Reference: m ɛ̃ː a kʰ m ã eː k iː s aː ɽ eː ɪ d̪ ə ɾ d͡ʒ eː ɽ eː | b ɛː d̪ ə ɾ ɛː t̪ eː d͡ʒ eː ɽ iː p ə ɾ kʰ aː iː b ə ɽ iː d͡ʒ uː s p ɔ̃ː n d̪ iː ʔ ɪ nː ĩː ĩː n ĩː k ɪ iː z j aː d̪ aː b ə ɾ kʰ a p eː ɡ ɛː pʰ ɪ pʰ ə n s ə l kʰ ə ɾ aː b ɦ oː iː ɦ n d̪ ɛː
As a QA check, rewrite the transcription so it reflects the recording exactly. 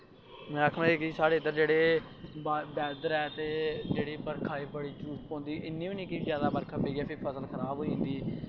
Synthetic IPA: m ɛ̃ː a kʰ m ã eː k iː s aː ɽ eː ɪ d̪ ə ɾ d͡ʒ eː ɽ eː | b ɛː d̪ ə ɾ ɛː t̪ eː d͡ʒ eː ɽ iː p ə ɾ kʰ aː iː b ə ɽ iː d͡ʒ uː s p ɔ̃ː n d̪ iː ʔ ɪ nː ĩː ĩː n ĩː k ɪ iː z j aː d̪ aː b ə ɾ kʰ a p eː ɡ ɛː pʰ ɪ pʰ ə s ə l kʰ ə ɾ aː b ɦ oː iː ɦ n d̪ iː